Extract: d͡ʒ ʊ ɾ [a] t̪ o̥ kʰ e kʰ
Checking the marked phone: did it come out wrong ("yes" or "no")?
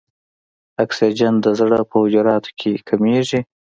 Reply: yes